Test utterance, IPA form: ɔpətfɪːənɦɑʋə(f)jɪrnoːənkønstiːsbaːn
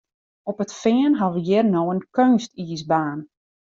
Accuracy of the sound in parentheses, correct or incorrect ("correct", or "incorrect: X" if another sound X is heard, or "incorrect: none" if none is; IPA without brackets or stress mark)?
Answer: incorrect: none